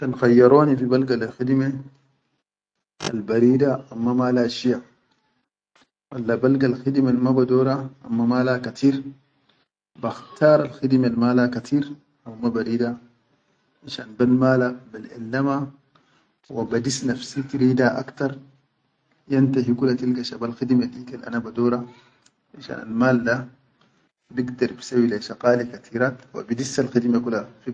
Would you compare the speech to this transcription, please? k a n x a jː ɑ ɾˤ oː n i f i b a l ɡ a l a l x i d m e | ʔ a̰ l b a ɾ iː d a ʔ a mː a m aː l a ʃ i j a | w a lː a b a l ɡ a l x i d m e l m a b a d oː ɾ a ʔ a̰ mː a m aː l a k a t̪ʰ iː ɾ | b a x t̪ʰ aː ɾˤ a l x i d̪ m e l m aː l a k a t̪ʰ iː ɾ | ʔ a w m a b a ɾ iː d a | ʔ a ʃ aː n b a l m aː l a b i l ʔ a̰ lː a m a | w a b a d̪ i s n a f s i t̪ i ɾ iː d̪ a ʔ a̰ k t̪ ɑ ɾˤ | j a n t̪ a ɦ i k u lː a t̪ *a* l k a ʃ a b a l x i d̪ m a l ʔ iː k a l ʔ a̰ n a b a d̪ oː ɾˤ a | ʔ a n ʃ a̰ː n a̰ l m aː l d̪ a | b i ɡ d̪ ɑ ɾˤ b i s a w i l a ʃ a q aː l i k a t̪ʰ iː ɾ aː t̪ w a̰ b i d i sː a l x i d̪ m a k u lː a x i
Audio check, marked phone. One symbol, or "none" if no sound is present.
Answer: i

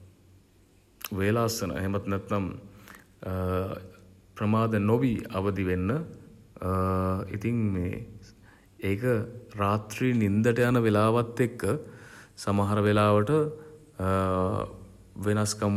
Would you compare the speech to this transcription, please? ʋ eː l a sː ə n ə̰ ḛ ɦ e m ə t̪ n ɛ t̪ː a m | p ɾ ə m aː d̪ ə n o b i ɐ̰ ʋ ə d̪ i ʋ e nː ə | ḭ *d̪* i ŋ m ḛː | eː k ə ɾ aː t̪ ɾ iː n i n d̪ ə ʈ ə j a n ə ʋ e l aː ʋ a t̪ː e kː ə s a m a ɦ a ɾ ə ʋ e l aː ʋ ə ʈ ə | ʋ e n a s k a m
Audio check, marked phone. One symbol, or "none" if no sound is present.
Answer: t̪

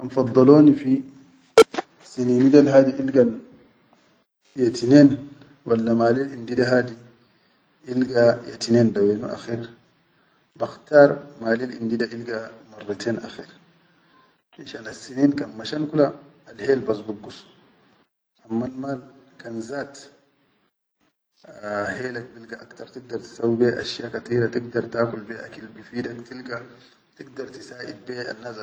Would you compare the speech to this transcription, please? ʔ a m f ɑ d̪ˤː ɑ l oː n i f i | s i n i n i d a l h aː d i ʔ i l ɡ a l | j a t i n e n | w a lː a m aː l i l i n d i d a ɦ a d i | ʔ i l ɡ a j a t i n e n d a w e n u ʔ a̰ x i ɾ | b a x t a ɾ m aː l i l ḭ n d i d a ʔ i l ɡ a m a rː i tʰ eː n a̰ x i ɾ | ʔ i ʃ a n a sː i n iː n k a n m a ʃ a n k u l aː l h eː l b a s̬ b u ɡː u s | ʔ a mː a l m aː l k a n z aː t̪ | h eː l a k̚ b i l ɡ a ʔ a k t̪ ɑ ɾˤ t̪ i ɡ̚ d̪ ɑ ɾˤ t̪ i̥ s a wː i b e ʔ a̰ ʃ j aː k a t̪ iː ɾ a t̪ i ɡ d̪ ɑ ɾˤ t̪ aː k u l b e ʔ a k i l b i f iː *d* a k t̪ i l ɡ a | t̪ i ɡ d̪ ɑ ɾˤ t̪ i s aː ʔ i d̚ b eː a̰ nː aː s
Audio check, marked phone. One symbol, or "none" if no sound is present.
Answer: d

